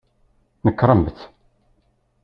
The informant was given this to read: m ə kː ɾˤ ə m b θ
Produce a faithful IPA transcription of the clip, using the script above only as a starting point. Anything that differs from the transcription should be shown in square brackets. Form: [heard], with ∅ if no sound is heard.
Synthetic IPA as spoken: [n] ə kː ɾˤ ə m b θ